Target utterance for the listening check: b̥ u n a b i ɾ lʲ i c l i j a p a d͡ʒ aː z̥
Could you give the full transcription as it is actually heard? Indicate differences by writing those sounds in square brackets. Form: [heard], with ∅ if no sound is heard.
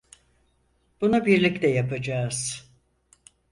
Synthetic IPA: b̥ u n a b i ɾ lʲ i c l [ɛ] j a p a d͡ʒ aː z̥